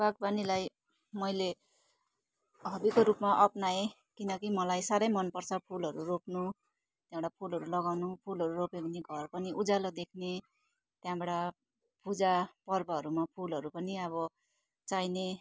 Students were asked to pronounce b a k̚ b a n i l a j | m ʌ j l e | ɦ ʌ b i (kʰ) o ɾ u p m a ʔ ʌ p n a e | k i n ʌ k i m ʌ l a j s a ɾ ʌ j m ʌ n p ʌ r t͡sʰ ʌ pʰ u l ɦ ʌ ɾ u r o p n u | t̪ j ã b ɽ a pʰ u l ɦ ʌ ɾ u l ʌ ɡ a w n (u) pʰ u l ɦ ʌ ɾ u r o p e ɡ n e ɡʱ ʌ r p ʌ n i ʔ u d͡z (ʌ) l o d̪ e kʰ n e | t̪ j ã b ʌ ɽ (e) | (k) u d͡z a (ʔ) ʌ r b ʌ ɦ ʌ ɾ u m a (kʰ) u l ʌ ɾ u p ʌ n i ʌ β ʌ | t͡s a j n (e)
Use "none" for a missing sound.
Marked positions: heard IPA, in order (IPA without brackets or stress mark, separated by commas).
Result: k, u, a, a, p, p, pʰ, e